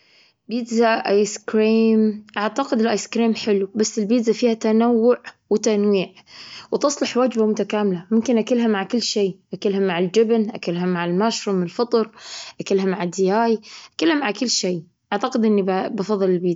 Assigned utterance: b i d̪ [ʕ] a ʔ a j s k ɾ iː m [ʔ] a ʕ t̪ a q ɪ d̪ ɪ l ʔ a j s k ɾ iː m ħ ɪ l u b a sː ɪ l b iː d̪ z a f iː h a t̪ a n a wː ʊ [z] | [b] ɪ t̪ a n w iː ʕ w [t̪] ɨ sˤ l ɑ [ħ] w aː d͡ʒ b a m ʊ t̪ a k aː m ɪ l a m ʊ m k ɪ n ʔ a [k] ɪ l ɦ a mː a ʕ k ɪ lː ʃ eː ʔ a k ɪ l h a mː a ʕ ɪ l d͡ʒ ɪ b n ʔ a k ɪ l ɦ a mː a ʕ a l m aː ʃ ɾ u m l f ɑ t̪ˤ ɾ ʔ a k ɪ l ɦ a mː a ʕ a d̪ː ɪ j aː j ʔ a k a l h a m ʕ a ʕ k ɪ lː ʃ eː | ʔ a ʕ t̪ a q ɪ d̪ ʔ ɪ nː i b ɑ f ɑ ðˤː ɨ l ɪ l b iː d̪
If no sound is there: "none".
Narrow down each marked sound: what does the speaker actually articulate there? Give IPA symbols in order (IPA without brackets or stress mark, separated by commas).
z, ʔ, ʕ, w, t̪, ħ, k